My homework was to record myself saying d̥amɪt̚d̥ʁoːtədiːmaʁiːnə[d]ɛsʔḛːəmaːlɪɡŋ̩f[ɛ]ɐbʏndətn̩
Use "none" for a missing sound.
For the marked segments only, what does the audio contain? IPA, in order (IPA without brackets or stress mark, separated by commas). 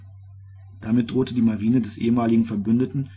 d, ɛ